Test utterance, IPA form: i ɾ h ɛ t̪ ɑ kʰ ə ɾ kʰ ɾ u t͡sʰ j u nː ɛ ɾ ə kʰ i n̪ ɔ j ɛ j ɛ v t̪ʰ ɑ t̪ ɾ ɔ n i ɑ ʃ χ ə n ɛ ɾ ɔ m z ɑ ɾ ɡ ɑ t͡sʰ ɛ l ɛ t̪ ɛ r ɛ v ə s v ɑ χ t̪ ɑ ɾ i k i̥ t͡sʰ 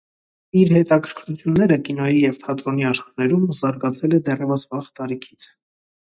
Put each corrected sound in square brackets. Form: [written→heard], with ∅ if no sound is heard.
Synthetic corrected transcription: i ɾ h ɛ t̪ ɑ kʰ ə ɾ kʰ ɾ u t͡sʰ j u nː ɛ ɾ ə [kʰ→k] i n̪ ɔ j [ɛ→i] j ɛ v t̪ʰ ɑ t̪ ɾ ɔ n i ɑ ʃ χ [ə→ɑ] n ɛ ɾ [ɔ→u] m z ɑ ɾ ɡ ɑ t͡sʰ ɛ l ɛ [t̪→d̪] ɛ r ɛ v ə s v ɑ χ t̪ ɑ ɾ i [k→kʰ] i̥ t͡sʰ